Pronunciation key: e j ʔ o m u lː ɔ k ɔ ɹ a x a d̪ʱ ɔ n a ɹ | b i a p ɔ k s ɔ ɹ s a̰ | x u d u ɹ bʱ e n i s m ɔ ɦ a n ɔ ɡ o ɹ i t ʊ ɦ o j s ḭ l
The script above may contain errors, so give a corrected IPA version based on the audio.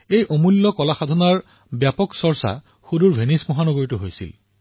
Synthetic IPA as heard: e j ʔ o m u lː ɔ k ɔ l a x a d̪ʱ ɔ n a ɹ | b j a p ɔ k s ɔ ɹ s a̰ | x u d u ɹ bʱ e n i s m ɔ ɦ a n ɔ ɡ o ɹ i t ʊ ɦ o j s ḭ l